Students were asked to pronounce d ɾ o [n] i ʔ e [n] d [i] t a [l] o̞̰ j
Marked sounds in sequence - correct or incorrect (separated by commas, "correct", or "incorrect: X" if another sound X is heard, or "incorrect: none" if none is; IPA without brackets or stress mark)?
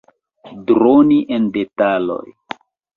correct, correct, incorrect: e, correct